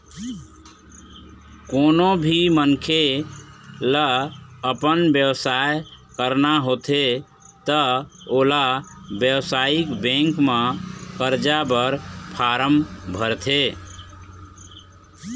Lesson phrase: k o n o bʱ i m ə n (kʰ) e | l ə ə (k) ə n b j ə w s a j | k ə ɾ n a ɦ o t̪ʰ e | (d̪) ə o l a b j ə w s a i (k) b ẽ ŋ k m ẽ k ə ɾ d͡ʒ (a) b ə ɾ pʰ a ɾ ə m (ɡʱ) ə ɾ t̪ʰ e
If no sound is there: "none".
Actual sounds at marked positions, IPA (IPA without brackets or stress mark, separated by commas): kʰ, p, t̪, k, a, bʱ